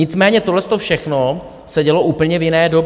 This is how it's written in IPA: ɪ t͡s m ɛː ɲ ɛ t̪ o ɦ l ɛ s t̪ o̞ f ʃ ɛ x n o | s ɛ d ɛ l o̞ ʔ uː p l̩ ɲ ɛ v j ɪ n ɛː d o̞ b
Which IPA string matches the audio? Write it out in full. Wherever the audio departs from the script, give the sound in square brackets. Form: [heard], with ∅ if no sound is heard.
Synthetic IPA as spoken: ɪ t͡s m ɛː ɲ ɛ t̪ o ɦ l ɛ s t̪ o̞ f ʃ ɛ x n o | s ɛ [ɟ] ɛ l o̞ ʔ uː p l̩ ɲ ɛ v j ɪ n ɛː d o̞ b